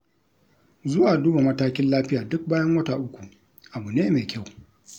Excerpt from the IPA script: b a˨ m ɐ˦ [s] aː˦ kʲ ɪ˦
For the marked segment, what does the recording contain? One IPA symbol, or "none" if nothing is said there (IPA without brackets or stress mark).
t